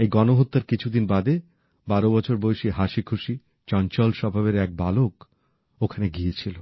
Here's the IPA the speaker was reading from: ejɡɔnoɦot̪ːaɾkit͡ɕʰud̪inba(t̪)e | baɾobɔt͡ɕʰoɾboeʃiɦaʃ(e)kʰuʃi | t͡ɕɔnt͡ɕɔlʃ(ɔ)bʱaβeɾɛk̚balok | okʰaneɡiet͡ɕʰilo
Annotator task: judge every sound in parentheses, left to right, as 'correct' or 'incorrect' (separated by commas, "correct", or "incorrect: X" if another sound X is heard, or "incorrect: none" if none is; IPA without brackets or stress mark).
incorrect: d̪, incorrect: i, correct